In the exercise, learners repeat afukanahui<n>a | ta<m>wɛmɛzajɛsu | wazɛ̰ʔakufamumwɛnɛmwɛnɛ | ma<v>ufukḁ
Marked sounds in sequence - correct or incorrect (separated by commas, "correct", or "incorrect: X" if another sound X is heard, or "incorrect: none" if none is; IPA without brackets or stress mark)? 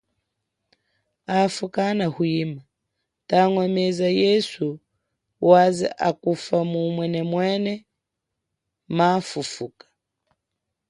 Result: incorrect: m, incorrect: ŋ, incorrect: f